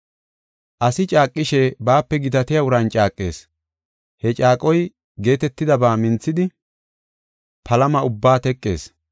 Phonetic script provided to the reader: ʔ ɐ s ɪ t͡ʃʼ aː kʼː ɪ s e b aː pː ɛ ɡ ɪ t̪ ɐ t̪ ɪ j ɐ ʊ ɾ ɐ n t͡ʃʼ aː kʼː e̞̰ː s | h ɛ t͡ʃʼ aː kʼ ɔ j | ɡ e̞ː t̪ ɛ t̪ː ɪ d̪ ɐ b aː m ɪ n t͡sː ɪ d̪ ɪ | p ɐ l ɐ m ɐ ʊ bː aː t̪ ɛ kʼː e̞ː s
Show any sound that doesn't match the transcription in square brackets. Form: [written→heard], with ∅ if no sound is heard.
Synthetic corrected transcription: ʔ ɐ s ɪ t͡ʃʼ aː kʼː ɪ [s→ʃ] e b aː pː ɛ ɡ ɪ t̪ ɐ t̪ ɪ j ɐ ʊ ɾ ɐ n t͡ʃʼ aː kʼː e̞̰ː s | h ɛ t͡ʃʼ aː kʼ ɔ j | ɡ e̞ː t̪ ɛ t̪ː ɪ d̪ ɐ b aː m ɪ n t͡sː ɪ d̪ ɪ | p ɐ l ɐ m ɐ ʊ bː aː t̪ ɛ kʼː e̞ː s